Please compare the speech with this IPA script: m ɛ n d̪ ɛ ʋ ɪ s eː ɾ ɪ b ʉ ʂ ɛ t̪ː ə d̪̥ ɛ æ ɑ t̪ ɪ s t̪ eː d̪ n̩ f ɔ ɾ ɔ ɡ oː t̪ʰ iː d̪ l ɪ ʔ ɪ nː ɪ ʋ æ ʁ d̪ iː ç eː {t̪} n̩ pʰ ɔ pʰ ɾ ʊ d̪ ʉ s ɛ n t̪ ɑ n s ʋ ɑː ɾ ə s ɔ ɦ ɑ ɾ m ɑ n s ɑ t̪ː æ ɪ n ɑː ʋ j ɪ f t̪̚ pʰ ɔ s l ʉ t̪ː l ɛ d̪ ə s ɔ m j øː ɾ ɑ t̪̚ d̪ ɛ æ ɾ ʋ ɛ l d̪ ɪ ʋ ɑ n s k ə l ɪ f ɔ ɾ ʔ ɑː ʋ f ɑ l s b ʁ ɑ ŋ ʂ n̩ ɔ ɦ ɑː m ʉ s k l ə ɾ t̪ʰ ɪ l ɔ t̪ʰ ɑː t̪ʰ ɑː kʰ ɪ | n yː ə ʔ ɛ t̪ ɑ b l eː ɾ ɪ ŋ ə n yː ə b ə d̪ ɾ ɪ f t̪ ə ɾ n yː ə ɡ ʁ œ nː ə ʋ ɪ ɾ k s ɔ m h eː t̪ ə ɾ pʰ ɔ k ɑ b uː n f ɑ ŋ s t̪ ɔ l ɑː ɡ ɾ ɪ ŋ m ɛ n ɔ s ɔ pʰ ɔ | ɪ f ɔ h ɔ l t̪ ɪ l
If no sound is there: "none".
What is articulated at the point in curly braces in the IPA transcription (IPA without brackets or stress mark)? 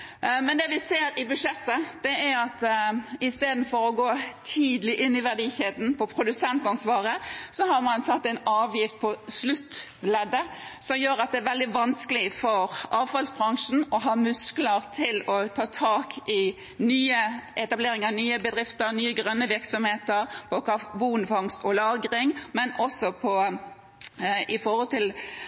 d̪